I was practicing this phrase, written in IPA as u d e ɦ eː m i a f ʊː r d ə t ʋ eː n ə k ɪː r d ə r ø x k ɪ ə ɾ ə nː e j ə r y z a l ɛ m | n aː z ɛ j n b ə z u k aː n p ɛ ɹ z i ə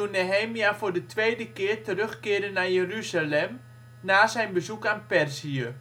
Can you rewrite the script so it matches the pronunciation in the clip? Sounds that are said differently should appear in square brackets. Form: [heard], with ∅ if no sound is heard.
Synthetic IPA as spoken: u [n] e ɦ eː m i a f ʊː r d ə t ʋ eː [d] ə k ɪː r [t] ə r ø x k ɪ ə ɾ ə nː [a] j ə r y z a l ɛ m | n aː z ɛ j n b ə z u k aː n p ɛ [r] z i ə